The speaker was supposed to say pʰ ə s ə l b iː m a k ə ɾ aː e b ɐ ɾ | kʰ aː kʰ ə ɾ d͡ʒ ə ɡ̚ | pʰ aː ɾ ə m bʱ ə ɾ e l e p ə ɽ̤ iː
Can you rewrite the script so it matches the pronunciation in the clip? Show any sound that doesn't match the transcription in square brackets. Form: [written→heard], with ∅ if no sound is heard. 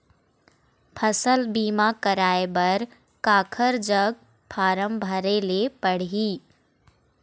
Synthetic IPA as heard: pʰ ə s ə l b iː m a k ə ɾ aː e b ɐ ɾ | [kʰ→k] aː kʰ ə ɾ d͡ʒ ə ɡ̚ | pʰ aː ɾ ə m bʱ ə ɾ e l e p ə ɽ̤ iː